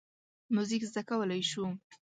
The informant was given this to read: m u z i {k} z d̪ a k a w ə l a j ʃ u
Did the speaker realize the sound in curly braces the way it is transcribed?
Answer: yes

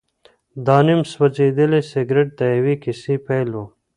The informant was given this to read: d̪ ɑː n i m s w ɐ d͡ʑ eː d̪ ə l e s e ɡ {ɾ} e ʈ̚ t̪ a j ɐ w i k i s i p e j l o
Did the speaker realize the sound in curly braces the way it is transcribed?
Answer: yes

